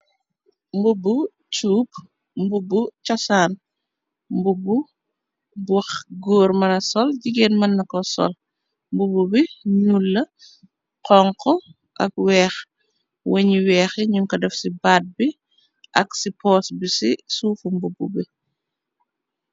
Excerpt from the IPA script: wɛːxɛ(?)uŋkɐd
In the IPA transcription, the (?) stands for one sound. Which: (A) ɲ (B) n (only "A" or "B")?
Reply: A